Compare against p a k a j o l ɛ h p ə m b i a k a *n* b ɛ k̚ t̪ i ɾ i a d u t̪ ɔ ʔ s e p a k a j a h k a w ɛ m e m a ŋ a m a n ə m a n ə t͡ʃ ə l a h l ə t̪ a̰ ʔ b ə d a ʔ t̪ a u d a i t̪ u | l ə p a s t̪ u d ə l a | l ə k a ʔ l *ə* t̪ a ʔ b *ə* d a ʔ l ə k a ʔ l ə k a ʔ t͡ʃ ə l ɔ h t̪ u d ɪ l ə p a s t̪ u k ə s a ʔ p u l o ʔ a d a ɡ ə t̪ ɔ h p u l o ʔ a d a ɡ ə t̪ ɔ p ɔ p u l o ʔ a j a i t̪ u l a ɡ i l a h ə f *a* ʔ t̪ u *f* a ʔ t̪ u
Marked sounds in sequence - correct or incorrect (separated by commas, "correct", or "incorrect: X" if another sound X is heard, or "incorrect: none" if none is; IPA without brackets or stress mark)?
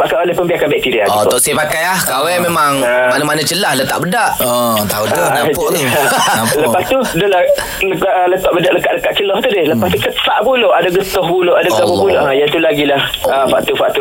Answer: correct, correct, correct, correct, correct